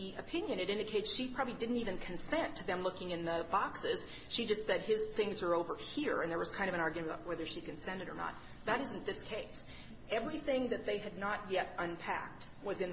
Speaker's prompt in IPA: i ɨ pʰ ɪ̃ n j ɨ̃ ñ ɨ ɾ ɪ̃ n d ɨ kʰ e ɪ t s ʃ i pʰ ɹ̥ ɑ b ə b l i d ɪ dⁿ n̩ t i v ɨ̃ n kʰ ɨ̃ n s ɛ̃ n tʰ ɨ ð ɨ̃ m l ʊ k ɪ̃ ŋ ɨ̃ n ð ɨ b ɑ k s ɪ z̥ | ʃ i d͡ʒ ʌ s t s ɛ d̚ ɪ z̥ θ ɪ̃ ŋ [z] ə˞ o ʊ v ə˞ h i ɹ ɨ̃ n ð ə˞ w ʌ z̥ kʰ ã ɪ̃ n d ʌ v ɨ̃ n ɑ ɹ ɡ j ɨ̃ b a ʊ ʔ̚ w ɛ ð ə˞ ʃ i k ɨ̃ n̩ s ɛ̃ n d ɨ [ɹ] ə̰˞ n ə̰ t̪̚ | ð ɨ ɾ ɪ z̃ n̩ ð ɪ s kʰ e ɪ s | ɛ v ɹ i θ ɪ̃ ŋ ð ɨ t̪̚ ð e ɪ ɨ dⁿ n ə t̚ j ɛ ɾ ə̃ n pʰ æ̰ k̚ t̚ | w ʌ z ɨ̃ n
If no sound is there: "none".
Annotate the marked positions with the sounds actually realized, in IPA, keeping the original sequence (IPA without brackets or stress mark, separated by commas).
z, ɾ